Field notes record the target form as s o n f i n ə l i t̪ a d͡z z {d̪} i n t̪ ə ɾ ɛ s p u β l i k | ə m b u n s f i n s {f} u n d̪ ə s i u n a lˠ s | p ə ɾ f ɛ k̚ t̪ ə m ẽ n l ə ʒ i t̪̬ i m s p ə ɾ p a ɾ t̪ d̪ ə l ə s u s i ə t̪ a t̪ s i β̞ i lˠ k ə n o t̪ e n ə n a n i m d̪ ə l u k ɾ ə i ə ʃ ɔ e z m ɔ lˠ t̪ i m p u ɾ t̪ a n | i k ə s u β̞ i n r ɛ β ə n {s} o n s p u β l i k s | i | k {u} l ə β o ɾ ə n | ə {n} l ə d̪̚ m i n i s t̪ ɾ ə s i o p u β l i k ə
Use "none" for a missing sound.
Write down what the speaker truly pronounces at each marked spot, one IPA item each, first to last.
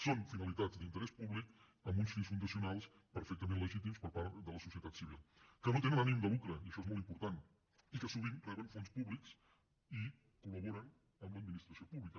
d̪, f, f, u, m

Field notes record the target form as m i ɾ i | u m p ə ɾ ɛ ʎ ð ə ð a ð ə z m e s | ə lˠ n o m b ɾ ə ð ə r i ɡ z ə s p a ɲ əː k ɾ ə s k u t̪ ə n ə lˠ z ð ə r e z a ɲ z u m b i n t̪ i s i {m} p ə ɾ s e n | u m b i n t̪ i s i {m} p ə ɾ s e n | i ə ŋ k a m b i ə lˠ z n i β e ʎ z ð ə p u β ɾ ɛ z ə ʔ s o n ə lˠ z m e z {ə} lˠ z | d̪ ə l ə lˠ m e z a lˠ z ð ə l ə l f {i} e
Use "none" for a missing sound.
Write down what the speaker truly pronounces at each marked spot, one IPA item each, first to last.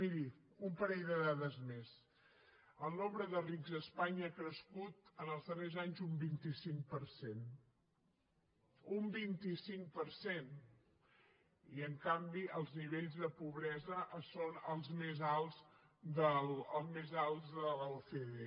ŋ, ŋ, a, e

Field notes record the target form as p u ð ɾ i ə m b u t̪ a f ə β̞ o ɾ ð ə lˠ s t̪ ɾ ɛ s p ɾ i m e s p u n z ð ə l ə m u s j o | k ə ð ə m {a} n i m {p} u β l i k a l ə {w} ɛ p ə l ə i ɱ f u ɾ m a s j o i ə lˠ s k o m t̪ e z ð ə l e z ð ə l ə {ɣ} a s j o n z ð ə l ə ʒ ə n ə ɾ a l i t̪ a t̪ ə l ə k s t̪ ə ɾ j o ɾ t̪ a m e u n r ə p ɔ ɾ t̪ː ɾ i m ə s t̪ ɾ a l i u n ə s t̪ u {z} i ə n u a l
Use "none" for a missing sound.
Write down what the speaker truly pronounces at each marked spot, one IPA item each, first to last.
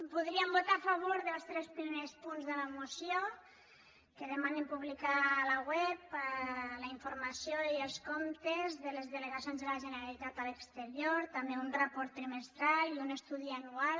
a, p, w, ɣ, ð

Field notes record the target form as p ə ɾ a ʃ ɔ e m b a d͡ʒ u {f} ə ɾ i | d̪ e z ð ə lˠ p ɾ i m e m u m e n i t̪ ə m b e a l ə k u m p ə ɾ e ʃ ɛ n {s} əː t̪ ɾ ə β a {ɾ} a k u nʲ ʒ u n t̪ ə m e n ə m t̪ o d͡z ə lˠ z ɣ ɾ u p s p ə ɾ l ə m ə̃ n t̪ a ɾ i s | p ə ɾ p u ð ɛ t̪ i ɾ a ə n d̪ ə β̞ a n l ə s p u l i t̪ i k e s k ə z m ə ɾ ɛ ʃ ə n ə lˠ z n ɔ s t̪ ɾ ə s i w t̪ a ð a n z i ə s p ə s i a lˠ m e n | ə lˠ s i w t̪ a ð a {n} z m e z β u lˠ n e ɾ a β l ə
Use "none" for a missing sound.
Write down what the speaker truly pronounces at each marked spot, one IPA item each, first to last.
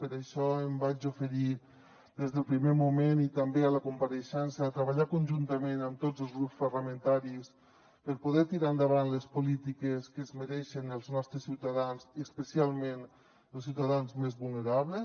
f, s, ʎ, n

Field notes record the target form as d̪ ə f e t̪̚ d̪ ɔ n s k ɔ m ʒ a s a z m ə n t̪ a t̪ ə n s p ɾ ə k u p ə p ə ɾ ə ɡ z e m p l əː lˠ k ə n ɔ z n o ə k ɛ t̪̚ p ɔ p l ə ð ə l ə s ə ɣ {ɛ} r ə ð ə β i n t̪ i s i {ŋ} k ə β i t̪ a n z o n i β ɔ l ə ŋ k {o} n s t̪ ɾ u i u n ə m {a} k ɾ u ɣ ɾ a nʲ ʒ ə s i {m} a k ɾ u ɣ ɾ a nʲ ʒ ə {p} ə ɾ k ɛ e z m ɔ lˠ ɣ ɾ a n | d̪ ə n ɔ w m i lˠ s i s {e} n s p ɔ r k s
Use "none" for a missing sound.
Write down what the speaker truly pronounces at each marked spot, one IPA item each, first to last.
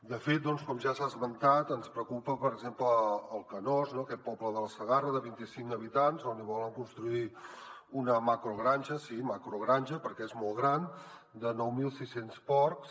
a, ŋ, u, a, m, p, e

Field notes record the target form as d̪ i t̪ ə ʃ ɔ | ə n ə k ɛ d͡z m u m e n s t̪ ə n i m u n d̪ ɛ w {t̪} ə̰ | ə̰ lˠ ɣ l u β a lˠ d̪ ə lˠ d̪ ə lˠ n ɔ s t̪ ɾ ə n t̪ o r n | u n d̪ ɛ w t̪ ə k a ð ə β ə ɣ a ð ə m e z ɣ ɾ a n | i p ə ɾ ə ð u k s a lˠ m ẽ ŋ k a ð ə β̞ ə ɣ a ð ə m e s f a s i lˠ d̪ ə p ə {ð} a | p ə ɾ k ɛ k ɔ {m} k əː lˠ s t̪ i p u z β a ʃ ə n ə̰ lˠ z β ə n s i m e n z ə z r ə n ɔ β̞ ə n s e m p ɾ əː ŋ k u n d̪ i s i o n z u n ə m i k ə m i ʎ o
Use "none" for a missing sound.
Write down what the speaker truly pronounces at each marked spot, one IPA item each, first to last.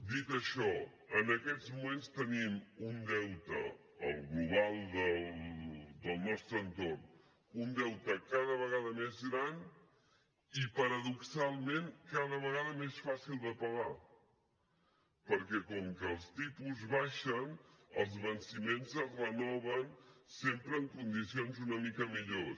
t̪, ɣ, ŋ

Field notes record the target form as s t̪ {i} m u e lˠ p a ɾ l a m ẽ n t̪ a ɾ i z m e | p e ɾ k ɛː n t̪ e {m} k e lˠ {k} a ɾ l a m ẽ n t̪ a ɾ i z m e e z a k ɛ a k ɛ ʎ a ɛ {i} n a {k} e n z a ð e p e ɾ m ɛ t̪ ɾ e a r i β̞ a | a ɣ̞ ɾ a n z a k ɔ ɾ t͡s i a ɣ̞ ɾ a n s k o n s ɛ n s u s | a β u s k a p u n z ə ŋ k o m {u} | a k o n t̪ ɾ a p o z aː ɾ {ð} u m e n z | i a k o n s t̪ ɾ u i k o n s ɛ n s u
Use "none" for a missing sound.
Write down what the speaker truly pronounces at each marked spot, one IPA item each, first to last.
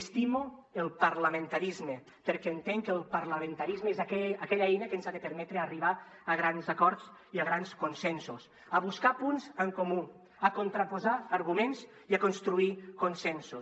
i, ŋ, p, j, k, u, ɣ

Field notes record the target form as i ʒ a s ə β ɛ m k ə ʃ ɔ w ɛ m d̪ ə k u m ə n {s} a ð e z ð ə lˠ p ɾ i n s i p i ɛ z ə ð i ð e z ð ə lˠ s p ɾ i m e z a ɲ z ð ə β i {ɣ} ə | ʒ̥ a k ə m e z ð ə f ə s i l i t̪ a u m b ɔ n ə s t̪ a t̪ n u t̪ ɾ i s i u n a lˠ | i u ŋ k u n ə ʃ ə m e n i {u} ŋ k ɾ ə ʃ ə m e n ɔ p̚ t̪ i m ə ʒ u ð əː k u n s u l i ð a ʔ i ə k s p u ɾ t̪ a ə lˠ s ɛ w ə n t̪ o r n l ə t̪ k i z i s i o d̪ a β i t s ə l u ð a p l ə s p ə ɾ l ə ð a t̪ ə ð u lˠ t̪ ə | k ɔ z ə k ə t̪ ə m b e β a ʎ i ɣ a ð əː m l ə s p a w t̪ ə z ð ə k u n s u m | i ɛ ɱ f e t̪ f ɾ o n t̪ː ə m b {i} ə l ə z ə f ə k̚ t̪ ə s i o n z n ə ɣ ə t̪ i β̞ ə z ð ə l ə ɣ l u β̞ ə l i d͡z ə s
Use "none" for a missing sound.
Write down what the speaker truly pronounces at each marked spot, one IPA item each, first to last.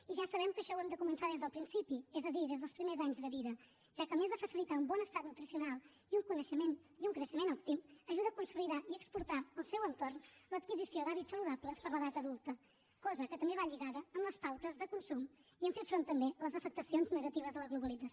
s, ð, u, e

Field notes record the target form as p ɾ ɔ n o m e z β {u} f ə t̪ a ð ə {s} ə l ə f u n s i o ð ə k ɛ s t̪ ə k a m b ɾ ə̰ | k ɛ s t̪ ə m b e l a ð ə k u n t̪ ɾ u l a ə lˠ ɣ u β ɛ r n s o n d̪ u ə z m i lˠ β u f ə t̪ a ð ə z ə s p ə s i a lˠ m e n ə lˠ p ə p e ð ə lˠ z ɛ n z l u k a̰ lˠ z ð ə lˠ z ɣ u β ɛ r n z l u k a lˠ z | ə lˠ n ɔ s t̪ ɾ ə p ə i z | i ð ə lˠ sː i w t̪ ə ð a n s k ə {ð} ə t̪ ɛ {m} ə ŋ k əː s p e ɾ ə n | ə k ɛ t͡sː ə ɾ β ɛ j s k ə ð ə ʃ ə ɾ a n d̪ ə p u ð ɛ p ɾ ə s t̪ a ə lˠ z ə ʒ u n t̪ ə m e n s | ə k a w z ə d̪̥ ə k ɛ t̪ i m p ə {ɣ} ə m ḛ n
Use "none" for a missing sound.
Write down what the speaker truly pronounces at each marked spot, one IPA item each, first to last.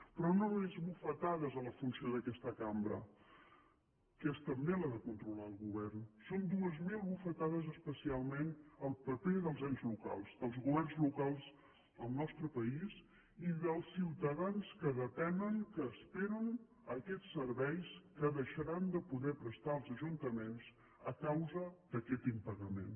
u, z, ð, n, ɣ

